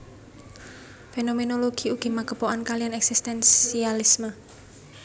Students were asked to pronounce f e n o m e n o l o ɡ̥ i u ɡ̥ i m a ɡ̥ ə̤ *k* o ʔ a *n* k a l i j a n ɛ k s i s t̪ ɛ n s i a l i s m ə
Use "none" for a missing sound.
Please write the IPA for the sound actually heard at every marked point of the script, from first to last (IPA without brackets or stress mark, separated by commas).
p, n